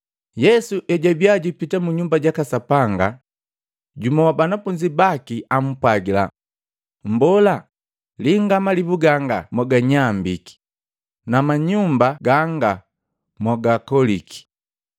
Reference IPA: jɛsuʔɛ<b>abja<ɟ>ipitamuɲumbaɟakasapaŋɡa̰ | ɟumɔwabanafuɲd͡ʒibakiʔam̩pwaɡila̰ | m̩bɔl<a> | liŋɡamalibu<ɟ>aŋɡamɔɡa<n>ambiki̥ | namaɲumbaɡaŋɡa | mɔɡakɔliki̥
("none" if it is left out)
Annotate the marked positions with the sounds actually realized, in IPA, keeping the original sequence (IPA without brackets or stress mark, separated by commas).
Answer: ɟ, ɟ, a, ɡ, ɲ